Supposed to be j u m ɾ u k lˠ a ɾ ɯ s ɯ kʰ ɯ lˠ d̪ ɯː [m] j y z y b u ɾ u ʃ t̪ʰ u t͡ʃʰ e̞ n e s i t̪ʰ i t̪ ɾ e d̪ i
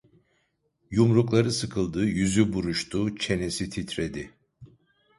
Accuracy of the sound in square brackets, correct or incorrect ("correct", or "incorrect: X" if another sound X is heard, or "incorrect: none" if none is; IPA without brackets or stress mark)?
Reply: incorrect: none